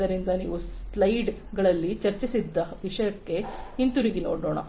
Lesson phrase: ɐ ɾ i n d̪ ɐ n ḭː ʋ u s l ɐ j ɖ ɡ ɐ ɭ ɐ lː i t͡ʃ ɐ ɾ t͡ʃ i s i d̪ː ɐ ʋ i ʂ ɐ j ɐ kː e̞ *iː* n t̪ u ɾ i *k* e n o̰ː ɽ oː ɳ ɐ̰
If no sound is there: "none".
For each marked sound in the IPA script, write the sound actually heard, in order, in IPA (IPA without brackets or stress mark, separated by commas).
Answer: i, ɡ